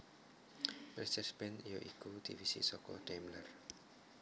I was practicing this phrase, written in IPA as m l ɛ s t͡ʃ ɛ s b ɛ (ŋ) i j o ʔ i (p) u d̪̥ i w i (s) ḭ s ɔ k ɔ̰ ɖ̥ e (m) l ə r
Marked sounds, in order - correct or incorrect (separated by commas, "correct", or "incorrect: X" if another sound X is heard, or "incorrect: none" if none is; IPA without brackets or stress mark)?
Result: incorrect: n, incorrect: k, correct, correct